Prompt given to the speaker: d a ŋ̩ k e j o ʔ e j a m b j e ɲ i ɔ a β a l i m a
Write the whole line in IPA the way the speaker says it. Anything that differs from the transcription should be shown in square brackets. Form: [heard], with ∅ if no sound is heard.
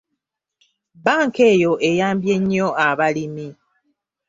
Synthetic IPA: [b] a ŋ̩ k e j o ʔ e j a m b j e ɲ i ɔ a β a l i m [i]